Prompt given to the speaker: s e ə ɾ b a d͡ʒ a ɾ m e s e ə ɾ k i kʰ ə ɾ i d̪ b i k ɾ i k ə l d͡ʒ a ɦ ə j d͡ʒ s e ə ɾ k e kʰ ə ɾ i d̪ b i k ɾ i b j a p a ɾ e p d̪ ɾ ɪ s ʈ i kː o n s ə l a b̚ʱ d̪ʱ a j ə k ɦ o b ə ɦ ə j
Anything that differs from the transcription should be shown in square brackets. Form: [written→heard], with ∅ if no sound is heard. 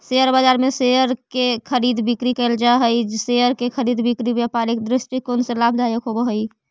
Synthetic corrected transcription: s e ə ɾ b a d͡ʒ a ɾ m e s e ə ɾ k [i→e] kʰ ə ɾ i d̪ b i k ɾ i k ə l d͡ʒ a ɦ ə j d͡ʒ s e ə ɾ k e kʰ ə ɾ i d̪ b i k ɾ i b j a p a ɾ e [p→k] d̪ ɾ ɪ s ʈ i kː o n s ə l a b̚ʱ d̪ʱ a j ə k ɦ o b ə ɦ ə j

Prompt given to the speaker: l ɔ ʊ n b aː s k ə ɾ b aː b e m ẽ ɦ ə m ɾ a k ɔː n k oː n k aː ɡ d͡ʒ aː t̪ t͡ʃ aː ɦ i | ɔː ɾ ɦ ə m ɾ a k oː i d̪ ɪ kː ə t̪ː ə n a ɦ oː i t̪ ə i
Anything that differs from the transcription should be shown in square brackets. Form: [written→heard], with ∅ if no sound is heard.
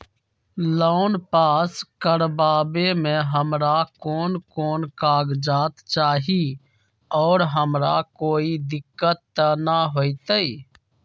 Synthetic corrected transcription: l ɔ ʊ n [b→p] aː s k ə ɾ b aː b e m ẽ ɦ ə m ɾ a k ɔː n k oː n k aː ɡ d͡ʒ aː t̪ t͡ʃ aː ɦ i | ɔː ɾ ɦ ə m ɾ a k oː i d̪ ɪ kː ə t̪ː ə n a ɦ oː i t̪ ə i

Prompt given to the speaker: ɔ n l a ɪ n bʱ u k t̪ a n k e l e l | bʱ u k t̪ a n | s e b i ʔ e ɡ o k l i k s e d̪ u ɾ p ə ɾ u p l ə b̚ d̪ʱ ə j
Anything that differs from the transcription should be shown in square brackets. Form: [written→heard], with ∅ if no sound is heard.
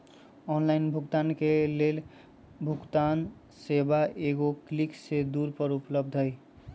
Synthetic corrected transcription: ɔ n l a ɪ n bʱ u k t̪ a n k e l e l | bʱ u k t̪ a n | s e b [i→a] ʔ e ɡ o k l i k s e d̪ u ɾ p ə ɾ u p l ə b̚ d̪ʱ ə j

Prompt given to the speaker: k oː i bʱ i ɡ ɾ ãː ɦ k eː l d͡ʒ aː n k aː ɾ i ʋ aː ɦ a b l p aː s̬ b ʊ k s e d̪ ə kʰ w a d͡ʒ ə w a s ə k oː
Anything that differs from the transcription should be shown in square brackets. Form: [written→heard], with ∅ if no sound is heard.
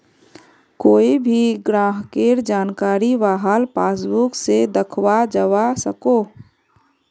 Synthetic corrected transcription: k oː i bʱ i ɡ ɾ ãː ɦ k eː [l→ɾ] d͡ʒ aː n k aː ɾ i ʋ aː ɦ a [b→∅] l p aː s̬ b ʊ k s e d̪ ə kʰ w a d͡ʒ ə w a s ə k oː

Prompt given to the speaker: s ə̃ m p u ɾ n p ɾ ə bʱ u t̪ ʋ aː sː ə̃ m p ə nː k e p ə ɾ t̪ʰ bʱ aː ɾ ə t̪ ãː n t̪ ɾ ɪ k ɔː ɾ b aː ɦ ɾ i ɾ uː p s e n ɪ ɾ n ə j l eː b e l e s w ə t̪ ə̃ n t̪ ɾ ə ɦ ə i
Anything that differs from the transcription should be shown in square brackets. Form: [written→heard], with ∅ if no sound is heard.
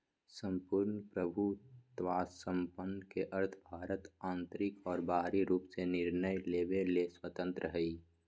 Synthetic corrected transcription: s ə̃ m p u ɾ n p ɾ ə bʱ u t̪ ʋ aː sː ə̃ m p ə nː k e [p→ʔ] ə ɾ t̪ʰ bʱ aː ɾ ə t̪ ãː n t̪ ɾ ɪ k ɔː ɾ b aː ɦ ɾ i ɾ uː p s e n ɪ ɾ n ə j l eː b e l e s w ə t̪ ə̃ n t̪ ɾ ə ɦ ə i

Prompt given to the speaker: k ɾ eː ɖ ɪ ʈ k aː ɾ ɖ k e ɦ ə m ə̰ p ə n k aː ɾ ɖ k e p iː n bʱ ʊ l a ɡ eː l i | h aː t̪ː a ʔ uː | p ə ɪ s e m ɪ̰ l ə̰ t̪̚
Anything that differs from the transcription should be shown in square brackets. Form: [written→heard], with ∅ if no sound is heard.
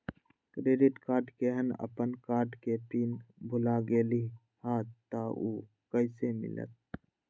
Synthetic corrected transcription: k ɾ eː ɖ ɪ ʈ k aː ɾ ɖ k e ɦ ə [m→n] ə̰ p ə n k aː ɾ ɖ k e p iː n bʱ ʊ l a ɡ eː l i | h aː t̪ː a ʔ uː | [p→k] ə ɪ s e m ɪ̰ l ə̰ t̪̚

